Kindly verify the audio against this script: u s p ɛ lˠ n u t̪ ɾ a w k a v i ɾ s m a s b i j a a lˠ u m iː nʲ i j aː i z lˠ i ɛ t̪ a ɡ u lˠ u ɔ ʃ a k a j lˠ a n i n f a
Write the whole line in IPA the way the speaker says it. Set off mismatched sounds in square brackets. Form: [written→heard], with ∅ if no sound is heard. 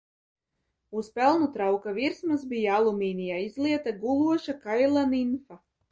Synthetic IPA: u s p ɛ lˠ n u t̪ ɾ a w k a v i ɾ s m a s b i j a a lˠ u m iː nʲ i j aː i z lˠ i ɛ t̪ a ɡ u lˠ u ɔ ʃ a k a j lˠ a n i n f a